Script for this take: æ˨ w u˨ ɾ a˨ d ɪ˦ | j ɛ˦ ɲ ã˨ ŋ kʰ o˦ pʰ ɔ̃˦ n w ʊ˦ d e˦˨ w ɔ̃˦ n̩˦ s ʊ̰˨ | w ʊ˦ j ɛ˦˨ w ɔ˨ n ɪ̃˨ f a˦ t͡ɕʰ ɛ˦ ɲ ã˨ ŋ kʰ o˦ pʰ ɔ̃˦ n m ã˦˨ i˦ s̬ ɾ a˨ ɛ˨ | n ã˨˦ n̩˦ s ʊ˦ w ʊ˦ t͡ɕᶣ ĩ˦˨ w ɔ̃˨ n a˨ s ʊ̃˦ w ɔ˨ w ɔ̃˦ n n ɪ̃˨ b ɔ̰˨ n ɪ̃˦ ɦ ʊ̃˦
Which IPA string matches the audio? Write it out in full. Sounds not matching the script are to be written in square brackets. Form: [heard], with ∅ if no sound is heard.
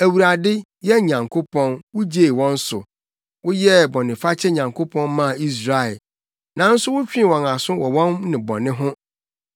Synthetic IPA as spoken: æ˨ w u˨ ɾ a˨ d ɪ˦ | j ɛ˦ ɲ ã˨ ŋ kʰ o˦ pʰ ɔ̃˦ n w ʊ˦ [d͡ʑ] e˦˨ w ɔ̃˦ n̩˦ s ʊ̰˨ | w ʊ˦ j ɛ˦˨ [b] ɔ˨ n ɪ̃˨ f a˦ t͡ɕʰ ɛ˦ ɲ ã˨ ŋ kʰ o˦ pʰ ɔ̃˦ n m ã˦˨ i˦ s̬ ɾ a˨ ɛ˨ | n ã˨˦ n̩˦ s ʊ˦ w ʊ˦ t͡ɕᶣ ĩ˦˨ w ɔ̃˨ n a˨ s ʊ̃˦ w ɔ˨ w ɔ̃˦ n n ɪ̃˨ b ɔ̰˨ n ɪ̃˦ ɦ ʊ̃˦

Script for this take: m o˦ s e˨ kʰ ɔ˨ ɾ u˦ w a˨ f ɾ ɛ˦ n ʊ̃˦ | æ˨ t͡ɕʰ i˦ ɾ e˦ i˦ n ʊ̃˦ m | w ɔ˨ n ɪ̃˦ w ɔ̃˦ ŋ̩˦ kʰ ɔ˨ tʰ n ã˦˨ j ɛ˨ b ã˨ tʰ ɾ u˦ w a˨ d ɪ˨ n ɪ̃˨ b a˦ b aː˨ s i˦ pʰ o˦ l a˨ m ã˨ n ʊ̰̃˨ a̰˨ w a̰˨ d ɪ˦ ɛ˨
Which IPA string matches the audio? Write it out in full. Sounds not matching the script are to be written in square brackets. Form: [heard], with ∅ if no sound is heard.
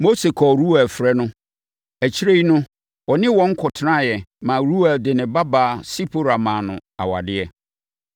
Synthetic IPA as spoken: m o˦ s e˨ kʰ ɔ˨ ɾ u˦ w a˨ f ɾ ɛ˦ n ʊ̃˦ | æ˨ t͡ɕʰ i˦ ɾ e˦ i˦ n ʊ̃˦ [∅] | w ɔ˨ n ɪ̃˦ w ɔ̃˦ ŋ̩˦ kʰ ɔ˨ tʰ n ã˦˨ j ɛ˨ [m] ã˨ [∅] ɾ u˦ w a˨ d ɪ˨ n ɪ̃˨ b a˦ b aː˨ s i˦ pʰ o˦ [ɾ] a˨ m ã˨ n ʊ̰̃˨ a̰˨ w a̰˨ d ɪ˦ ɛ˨

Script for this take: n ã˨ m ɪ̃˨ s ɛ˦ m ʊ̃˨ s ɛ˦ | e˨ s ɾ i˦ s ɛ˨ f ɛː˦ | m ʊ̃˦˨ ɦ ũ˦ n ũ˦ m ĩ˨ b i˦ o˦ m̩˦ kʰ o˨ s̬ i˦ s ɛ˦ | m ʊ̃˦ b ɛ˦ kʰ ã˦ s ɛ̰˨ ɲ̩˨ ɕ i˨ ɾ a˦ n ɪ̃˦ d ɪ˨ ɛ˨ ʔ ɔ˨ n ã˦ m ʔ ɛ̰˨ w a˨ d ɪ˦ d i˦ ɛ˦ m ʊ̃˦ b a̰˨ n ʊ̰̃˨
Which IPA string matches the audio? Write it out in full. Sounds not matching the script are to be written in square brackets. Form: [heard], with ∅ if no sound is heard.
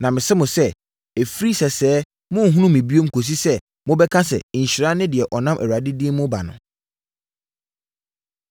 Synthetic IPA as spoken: n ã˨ m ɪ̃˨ s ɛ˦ m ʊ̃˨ s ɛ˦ | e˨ [f] ɾ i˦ s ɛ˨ [s] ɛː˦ | m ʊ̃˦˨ ɦ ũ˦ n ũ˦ m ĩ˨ b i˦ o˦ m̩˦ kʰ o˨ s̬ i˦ s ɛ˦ | m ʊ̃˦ b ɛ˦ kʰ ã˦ s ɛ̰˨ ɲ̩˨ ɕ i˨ ɾ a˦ n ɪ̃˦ d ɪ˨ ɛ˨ ʔ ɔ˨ n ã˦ m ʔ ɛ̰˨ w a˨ d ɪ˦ d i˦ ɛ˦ m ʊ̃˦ b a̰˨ n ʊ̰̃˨

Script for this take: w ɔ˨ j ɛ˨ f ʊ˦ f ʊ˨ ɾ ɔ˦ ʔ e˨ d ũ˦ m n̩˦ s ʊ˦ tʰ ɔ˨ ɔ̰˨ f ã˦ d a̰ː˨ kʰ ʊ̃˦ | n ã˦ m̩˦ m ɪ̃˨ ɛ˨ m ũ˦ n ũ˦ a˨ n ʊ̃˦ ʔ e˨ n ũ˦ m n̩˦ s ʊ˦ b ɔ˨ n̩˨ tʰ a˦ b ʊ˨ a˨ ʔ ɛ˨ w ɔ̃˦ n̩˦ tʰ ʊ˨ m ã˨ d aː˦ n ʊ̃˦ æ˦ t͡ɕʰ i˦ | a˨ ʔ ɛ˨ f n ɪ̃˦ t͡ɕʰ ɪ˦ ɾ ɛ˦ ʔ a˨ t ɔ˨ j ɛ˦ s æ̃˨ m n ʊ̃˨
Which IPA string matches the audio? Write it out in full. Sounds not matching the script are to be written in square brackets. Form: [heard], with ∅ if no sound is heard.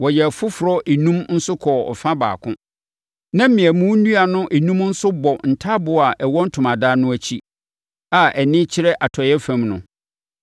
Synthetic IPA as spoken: w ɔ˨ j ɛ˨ f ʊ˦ f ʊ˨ ɾ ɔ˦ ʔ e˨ [n] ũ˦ m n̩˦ s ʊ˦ [kʰ] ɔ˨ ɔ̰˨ f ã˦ [b] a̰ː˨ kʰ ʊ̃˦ | n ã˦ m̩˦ m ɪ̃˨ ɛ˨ m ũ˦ n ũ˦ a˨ n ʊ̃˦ ʔ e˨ n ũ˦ m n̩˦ s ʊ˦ b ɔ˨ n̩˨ tʰ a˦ b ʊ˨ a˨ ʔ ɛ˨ w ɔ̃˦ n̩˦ tʰ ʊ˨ m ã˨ d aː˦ n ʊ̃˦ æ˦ t͡ɕʰ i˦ | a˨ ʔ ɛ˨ [∅] n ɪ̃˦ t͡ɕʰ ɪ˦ ɾ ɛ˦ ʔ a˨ [tʰ] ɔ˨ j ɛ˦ [f] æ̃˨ m n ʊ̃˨

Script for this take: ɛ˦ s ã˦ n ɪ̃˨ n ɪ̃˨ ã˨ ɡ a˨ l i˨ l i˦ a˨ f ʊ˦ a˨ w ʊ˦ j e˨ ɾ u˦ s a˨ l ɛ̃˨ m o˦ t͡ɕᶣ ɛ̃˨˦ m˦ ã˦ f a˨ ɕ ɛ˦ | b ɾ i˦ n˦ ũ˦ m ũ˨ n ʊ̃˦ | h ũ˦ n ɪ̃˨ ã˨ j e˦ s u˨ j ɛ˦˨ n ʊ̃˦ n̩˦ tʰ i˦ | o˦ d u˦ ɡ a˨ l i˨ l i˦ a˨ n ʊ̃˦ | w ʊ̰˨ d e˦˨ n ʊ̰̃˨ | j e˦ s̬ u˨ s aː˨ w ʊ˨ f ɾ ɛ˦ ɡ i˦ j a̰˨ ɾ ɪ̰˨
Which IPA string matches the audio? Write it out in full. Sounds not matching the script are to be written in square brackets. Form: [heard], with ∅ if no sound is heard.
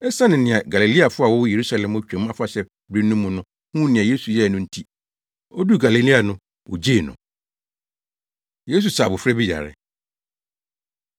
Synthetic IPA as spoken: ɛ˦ s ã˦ n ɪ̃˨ n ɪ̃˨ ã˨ ɡ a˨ l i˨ l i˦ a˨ f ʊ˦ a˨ w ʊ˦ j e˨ ɾ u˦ s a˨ l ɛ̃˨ m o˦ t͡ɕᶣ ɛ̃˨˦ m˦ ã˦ f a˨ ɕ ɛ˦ | b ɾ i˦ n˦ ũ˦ m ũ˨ n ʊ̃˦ | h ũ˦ n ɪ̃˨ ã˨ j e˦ s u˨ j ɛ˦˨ n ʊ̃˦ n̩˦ tʰ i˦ | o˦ d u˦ ɡ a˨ l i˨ l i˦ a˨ n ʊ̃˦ | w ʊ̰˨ [d͡ʑ] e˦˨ n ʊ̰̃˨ | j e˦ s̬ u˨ s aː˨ [b] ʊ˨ f ɾ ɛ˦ [b] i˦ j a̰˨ ɾ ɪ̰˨

